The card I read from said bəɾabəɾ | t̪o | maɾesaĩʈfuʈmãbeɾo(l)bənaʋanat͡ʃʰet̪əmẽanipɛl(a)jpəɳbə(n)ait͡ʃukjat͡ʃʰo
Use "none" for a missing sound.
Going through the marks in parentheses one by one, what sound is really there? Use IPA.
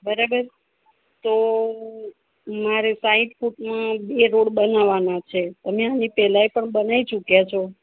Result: ɽ, a, n

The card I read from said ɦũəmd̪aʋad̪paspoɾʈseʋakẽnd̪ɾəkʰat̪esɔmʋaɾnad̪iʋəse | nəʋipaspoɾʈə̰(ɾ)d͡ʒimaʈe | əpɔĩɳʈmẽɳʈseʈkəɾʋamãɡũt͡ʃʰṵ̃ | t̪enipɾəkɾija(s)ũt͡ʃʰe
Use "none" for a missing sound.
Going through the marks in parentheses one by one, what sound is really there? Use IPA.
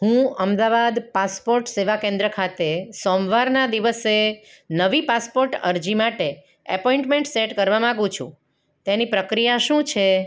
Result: ɾ, ʃ

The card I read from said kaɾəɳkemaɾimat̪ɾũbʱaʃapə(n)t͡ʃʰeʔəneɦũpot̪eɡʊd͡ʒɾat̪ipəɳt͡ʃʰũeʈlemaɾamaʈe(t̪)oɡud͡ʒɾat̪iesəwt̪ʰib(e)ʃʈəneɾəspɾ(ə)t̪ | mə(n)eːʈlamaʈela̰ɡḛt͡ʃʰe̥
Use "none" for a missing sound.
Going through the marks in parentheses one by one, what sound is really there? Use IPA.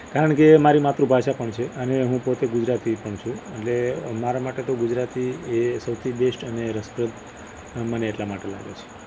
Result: ɳ, t̪, e, ə, n

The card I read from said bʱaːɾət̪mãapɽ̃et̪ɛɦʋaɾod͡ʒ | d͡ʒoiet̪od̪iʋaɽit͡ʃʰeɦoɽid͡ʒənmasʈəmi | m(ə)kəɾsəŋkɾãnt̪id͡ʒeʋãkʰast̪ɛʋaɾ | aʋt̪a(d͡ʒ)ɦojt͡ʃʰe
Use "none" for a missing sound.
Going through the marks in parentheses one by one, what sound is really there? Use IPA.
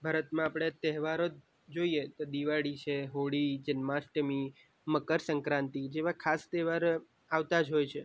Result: ə, d͡ʒ

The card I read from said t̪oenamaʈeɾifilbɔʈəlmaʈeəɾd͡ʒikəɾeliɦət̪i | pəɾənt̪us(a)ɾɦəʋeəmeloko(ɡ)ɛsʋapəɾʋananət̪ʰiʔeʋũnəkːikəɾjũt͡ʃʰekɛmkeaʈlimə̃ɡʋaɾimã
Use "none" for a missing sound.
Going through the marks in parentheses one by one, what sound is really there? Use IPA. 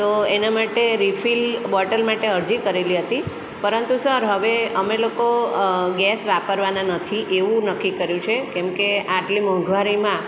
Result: ə, ɡ

